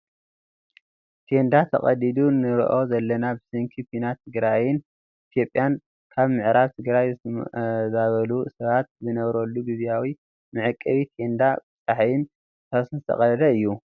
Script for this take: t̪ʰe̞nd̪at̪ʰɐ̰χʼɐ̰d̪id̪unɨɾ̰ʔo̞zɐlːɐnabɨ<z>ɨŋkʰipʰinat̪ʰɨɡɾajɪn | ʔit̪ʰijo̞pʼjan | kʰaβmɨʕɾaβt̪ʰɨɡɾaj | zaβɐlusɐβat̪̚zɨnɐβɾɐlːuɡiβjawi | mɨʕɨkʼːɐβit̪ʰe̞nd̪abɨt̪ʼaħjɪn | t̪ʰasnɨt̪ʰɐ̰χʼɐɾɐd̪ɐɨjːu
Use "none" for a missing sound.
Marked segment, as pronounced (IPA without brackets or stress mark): s